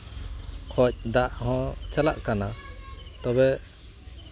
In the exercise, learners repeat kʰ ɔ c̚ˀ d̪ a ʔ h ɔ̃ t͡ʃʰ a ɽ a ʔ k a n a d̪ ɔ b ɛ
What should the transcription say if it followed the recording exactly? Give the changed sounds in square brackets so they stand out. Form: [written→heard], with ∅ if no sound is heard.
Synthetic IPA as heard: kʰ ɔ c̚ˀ d̪ a ʔ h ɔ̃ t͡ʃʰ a [ɽ→l] a ʔ k a n a [d̪→t̪] ɔ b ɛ